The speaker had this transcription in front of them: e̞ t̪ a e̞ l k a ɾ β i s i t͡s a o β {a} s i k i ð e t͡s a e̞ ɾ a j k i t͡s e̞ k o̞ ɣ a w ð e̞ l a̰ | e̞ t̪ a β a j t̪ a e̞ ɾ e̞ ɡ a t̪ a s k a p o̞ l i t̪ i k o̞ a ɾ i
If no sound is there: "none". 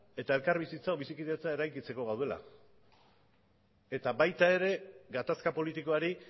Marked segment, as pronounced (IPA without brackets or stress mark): i